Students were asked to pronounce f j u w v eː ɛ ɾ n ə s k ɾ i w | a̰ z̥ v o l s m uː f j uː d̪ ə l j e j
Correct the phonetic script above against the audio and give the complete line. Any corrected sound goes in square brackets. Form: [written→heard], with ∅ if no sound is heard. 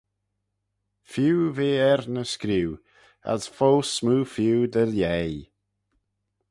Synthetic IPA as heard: f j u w v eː ɛ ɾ n ə s k ɾ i w | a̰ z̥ [v→f] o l s m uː f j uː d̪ ə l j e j